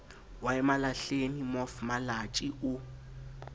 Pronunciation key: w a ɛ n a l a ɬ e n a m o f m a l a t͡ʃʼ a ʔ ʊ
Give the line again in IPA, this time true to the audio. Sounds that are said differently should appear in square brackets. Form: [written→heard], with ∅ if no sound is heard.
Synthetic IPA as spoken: w a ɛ [n→m] a l a ɬ e n [a→i] m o f m a l a t͡ʃʼ [a→i] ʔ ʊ

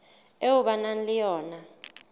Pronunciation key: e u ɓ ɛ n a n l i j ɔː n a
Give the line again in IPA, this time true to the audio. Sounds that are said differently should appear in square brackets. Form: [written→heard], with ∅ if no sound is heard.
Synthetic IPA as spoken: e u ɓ [ɛ→a] n a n l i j ɔː n a

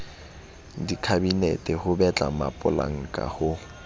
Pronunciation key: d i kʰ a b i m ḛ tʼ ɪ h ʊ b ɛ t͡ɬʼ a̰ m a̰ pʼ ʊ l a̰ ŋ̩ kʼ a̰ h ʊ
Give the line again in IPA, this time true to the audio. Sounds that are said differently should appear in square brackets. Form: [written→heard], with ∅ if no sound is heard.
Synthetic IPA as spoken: d i kʰ a b i [m→n] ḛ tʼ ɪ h ʊ b ɛ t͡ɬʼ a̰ m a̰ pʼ ʊ l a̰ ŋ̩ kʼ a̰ h ʊ

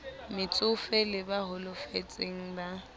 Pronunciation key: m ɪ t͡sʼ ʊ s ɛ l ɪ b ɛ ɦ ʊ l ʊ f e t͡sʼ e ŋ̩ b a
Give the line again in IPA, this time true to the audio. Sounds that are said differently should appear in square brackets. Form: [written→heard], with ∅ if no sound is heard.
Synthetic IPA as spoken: m ɪ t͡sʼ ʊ [s→f] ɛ l ɪ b [ɛ→a] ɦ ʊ l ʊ f e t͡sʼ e ŋ̩ b a

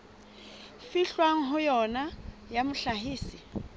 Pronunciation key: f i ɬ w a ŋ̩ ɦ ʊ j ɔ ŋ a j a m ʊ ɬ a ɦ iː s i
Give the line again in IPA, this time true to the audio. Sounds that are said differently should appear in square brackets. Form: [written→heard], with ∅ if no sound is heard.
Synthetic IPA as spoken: f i ɬ w a ŋ̩ ɦ ʊ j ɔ [ŋ→n] a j a m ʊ ɬ a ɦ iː s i

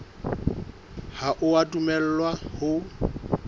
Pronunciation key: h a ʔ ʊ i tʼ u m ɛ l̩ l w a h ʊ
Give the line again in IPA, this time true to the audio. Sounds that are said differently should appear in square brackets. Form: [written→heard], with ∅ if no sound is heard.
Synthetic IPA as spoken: h a ʔ ʊ [i→a] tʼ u m ɛ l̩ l w a h ʊ

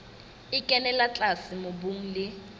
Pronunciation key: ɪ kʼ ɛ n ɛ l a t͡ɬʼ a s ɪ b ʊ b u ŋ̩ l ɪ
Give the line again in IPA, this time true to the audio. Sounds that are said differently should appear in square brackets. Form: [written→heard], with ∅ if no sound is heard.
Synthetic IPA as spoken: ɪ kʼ ɛ n ɛ l a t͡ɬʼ a s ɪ [b→m] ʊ b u ŋ̩ l ɪ

